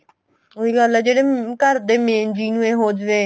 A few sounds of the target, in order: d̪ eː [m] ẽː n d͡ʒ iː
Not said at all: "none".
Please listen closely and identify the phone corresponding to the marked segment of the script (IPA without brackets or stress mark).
m